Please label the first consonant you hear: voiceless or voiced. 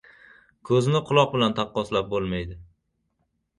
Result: voiceless